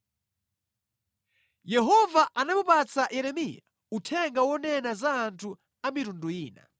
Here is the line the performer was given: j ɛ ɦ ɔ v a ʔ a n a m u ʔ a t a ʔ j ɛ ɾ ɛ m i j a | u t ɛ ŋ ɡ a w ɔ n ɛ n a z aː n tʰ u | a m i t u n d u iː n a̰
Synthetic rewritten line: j ɛ ɦ ɔ v a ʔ a n a m u p a t͡s a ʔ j ɛ ɾ ɛ m i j a | u tʰ ɛ ŋ ɡ a w ɔ n ɛ n a z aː n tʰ u | a m i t u n d u iː n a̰